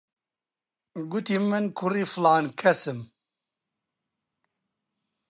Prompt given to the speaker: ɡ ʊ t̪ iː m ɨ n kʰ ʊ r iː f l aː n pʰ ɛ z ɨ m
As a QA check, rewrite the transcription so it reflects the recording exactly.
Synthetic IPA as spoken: ɡ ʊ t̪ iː m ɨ n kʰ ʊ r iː f l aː n kʰ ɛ s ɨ m